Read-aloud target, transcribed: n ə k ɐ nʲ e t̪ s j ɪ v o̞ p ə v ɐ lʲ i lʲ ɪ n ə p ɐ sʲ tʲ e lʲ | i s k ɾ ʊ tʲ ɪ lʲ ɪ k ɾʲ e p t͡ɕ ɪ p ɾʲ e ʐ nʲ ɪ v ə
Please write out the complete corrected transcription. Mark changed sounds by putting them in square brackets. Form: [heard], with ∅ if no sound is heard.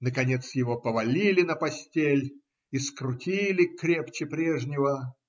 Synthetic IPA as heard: n ə k ɐ nʲ e t̪ s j ɪ v o̞ p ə v ɐ lʲ i lʲ ɪ n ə p ɐ sʲ tʲ e lʲ | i s k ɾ ʊ tʲ [i] lʲ ɪ k ɾʲ e p t͡ɕ ɪ p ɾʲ e ʐ nʲ ɪ v ə